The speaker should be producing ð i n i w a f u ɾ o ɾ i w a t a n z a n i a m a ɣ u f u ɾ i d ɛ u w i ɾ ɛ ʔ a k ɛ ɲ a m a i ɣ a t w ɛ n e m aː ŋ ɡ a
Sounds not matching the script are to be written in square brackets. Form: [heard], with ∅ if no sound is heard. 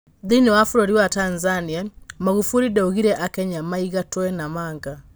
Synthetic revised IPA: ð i n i w a f u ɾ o ɾ i w a t a n z a n i a m a ɣ u f u ɾ i d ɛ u [ɣ] i ɾ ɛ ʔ a k ɛ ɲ a m a i ɣ a t w ɛ n [a] m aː ŋ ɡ a